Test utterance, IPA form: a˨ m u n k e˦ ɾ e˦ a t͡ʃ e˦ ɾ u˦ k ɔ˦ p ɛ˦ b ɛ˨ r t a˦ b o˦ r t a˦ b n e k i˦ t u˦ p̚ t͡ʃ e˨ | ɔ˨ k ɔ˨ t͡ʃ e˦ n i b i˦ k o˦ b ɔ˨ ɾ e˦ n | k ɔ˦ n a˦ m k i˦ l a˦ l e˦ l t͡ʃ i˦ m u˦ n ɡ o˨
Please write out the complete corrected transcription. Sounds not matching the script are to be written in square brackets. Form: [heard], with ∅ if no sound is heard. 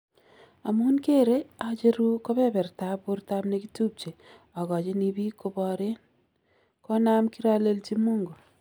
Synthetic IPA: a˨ m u n k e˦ ɾ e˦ a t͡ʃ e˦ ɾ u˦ k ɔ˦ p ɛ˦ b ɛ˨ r t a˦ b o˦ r t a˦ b n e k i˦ t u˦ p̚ t͡ʃ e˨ | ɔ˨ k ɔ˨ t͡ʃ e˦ n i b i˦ k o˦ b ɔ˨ ɾ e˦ n | k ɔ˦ n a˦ m k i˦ [ɾ] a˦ l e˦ l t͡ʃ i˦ m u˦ [ŋ] ɡ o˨